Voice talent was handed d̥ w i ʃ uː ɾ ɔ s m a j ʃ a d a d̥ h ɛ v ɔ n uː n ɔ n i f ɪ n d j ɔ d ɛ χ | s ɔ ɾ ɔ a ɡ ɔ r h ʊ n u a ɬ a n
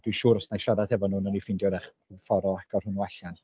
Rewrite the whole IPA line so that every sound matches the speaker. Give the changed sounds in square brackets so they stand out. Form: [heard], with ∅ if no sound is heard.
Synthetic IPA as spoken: d̥ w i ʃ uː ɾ ɔ s [n] a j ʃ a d a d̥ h ɛ v ɔ n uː n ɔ n i f ɪ n d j ɔ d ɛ χ | [f] ɔ ɾ ɔ a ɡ ɔ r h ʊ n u a ɬ a n